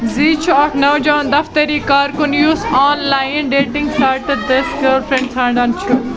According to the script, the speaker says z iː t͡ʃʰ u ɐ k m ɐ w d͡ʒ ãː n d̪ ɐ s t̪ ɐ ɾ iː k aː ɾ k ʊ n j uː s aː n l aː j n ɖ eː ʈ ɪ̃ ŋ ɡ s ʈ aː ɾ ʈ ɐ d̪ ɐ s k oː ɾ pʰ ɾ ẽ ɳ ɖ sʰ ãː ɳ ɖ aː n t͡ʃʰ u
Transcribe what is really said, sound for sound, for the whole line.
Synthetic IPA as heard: z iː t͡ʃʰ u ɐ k n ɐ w d͡ʒ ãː n d̪ ɐ f t̪ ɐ ɾ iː k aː ɾ k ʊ n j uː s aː n l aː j n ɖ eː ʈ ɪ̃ ŋ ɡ s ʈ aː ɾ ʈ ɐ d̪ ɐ s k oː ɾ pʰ ɾ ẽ ɳ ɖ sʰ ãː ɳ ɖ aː n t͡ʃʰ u